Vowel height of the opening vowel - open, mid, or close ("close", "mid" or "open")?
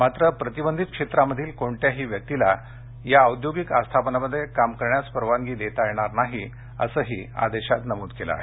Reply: open